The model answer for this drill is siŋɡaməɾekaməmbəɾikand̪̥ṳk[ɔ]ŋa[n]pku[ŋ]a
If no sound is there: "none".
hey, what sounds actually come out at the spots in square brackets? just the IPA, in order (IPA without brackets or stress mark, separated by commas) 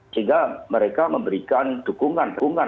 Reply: u, n, ŋ